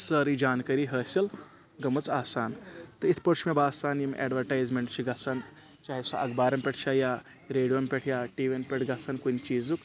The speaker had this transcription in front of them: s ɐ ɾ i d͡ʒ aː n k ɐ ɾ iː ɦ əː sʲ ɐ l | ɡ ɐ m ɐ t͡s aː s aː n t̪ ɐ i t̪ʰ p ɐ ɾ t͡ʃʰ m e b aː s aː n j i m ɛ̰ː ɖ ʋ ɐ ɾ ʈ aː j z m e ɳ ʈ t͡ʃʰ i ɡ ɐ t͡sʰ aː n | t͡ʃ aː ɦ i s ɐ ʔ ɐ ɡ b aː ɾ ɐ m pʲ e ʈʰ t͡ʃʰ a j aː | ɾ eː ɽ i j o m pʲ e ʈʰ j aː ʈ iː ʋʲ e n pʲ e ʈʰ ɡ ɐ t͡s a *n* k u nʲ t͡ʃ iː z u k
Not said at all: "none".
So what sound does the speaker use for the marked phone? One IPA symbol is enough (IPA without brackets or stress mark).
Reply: n